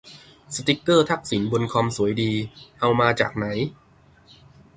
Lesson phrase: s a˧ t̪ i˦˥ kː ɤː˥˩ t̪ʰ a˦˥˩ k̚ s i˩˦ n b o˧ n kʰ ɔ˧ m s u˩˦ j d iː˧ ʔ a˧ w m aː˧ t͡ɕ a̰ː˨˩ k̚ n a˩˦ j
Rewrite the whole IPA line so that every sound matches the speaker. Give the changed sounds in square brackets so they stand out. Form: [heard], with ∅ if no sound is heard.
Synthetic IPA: s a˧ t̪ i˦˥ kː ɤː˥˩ t̪ʰ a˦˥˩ k̚ s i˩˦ n b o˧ n kʰ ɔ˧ m s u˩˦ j d iː˧ ʔ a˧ w m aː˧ t͡ɕ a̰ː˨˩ k̚ n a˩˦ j